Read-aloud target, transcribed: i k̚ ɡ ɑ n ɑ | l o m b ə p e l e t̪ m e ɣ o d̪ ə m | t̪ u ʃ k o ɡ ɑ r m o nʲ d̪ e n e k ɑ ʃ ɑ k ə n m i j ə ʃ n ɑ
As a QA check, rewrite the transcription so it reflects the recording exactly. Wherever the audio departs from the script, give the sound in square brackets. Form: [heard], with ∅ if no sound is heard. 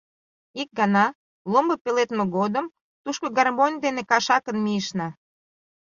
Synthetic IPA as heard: i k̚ ɡ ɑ n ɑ | l o m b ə p e l e t̪ m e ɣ o d̪ ə m | t̪ u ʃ k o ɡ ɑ r m o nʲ d̪ e n e k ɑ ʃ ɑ k ə n m i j ə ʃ n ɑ